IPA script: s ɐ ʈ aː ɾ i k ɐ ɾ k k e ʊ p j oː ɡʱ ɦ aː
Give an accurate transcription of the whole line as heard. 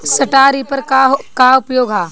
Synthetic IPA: s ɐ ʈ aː ɾ i p ɐ ɾ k k a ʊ p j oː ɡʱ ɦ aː

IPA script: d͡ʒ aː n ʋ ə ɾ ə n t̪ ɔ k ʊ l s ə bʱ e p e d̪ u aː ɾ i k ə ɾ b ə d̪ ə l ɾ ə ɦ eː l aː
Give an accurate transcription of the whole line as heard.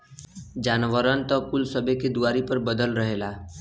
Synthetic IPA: d͡ʒ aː n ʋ ə ɾ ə n t̪ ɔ k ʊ l s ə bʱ e k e d̪ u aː ɾ i p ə ɾ b ə d̪ ə l ɾ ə ɦ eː l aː

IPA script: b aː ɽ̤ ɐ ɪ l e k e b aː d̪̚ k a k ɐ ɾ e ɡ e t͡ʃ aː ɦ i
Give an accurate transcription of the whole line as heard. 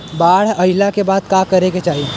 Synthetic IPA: b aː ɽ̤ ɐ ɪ l a k e b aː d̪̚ k a k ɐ ɾ e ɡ e t͡ʃ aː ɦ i

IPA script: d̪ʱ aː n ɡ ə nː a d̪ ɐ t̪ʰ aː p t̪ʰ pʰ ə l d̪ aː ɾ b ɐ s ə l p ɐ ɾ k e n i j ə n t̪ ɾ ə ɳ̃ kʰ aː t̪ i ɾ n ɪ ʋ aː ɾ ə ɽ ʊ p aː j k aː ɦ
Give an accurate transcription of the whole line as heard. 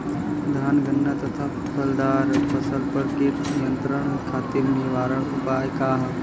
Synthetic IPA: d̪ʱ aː n ɡ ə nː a t̪ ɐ t̪ʰ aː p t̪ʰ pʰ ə l d̪ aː ɾ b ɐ s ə l p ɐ ɾ k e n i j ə n t̪ ɾ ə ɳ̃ kʰ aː t̪ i ɾ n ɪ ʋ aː ɾ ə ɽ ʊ p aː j k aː ɦ

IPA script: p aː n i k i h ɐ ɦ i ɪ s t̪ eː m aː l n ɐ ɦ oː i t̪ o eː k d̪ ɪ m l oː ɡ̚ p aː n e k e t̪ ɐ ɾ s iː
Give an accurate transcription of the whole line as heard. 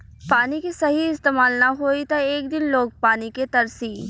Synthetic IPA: p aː n i k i s ɐ ɦ i ɪ s t̪ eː m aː l n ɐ ɦ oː i t̪ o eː k d̪ ɪ n l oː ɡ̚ p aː n i k e t̪ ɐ ɾ s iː

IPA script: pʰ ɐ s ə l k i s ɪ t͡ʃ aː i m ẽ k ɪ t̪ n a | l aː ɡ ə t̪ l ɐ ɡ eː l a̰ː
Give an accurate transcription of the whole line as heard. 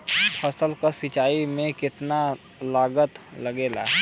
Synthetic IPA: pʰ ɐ s ə l k a s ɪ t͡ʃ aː i m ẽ k ɪ t̪ n a | l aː ɡ ə t̪ l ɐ ɡ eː l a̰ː

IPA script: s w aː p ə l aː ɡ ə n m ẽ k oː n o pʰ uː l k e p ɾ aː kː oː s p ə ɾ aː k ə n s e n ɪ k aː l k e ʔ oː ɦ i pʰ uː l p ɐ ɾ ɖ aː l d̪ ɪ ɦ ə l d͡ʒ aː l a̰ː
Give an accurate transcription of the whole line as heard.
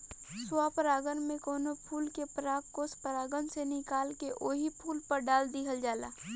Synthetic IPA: s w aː p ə ɾ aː ɡ ə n m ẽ k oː n o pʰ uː l k e p ɾ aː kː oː s p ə ɾ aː ɡ ə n s e n ɪ k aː l k e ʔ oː ɦ i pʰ uː l p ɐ ɾ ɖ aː l d̪ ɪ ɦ ə l d͡ʒ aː l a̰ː

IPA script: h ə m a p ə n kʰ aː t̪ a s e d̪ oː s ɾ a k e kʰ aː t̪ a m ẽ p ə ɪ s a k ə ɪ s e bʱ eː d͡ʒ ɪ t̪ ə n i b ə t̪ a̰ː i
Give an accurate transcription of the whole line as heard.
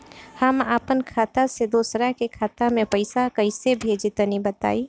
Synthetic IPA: h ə m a p ə n kʰ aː t̪ a s e d̪ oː s ɾ a k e kʰ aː t̪ a m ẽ p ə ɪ s a k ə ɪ s e bʱ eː d͡ʒ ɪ t̪ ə n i b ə t̪ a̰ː i

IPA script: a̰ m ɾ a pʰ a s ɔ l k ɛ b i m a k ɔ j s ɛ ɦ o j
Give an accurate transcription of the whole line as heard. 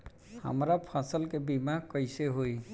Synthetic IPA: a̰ m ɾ a pʰ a s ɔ l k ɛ b i m a k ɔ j s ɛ ɦ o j

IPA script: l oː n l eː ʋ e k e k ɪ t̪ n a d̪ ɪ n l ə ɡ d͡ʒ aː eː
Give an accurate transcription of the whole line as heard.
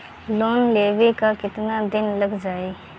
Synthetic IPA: l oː n l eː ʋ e k a k ɪ t̪ n a d̪ ɪ n l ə ɡ d͡ʒ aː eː

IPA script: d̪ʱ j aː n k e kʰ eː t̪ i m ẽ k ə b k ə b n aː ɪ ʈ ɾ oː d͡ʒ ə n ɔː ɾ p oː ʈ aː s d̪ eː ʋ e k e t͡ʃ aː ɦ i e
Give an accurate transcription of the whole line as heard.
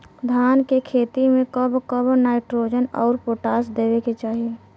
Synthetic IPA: d̪ʱ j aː n k e kʰ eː t̪ i m ẽ k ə b k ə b n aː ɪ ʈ ɾ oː d͡ʒ ə n ɔː ɾ p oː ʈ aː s d̪ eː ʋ e k e t͡ʃ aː ɦ i e

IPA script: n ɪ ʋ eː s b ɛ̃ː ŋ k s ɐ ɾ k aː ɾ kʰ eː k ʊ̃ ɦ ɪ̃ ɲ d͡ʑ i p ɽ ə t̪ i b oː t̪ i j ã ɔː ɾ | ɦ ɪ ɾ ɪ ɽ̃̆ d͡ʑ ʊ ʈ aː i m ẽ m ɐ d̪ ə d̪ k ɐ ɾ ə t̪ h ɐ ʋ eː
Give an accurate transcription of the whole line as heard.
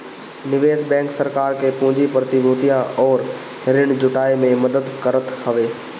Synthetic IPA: n ɪ ʋ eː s b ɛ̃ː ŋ k s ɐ ɾ k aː ɾ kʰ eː p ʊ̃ ɦ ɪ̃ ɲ d͡ʑ i p ɾ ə t̪ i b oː t̪ i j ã ɔː ɾ | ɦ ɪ ɾ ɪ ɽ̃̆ d͡ʑ ʊ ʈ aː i m ẽ m ɐ d̪ ə d̪ k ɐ ɾ ə t̪ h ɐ ʋ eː

